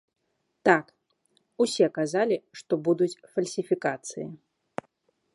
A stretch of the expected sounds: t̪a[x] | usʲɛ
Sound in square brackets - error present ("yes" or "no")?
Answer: yes